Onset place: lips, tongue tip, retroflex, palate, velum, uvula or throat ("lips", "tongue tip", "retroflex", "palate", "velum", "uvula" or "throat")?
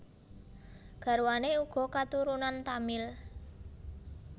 velum